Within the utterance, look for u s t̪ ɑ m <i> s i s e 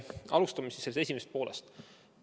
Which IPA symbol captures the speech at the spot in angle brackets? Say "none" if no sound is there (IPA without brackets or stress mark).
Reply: i